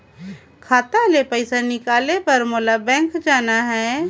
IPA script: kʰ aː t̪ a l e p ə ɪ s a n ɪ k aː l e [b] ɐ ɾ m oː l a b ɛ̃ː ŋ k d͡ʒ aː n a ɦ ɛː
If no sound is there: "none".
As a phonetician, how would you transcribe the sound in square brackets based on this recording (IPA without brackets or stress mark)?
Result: p